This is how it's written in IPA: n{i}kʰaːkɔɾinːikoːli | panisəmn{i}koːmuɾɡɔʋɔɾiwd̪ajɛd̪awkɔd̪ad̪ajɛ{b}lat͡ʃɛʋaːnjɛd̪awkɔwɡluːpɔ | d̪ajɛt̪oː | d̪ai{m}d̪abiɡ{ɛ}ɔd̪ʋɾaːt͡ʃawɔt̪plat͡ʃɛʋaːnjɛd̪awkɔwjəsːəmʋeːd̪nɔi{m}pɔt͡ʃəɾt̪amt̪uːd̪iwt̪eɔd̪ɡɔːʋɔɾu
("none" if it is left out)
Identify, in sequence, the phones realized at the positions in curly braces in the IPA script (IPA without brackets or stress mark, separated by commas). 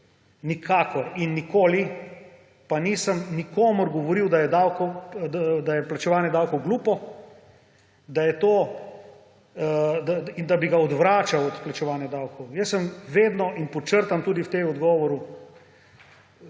i, i, p, n, a, n